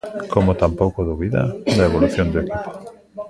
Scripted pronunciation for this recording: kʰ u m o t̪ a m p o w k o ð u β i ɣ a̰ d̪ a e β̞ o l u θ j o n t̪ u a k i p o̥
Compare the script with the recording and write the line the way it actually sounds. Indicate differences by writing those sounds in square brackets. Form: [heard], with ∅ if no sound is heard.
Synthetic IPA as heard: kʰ [o] m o t̪ a m p o w k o ð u β i [ð] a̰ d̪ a e β̞ o l u θ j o n [d̪] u [e] k i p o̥